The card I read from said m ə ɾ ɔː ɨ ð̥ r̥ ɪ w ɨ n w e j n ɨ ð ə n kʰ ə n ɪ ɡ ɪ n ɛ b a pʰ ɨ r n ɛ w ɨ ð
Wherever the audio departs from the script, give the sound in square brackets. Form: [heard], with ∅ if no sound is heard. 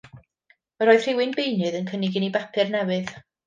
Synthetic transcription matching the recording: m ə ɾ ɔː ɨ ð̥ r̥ ɪ w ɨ n [b] e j n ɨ ð ə n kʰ ə n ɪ ɡ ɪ n [i] b a pʰ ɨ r n ɛ w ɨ ð